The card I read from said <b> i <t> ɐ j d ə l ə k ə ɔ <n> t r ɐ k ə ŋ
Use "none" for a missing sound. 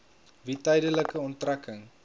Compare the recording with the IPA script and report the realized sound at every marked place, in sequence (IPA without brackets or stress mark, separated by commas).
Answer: v, t, n